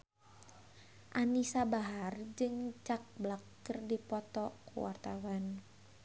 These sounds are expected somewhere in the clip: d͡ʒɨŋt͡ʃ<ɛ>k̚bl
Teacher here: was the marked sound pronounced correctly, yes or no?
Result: no